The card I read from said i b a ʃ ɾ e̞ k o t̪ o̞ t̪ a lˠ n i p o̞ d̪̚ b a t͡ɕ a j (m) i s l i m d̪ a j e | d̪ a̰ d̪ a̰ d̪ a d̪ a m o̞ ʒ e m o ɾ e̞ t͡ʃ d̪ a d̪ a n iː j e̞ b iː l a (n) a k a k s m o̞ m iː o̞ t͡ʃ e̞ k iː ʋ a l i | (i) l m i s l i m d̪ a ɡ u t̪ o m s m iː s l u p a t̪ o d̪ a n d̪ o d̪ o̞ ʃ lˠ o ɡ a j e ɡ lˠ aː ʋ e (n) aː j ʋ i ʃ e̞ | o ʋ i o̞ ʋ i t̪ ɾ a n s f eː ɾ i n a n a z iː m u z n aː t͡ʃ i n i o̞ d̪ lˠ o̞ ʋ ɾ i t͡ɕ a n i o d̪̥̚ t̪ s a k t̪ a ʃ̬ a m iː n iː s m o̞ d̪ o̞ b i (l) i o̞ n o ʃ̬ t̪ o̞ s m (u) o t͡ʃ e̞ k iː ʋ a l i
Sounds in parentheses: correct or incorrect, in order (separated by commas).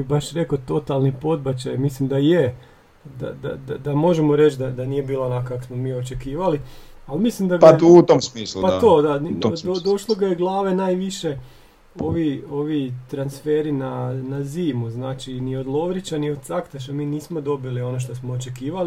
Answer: correct, correct, incorrect, correct, correct, incorrect